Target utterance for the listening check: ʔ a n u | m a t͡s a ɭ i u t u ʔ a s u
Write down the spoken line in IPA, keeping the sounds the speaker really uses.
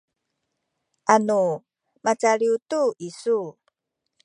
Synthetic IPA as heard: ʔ a n u | m a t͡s a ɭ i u t u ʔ i s u